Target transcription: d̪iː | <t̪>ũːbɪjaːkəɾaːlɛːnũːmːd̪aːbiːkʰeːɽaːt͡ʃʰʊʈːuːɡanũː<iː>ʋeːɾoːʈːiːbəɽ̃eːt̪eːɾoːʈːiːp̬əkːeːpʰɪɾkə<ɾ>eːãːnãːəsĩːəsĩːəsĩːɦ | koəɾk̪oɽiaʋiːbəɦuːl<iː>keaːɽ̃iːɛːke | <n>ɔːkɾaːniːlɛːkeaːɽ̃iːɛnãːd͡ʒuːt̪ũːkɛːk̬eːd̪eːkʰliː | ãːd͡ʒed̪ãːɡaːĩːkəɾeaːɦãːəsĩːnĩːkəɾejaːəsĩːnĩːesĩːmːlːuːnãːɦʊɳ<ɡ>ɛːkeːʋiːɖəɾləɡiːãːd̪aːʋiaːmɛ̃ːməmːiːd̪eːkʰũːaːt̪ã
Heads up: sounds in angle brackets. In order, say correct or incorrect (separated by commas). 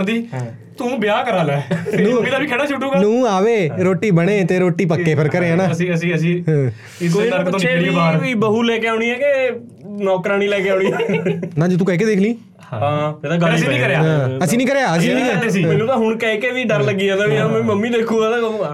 correct, incorrect, correct, incorrect, correct, incorrect